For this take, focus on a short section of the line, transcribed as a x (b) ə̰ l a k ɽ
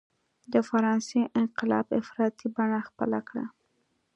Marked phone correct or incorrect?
incorrect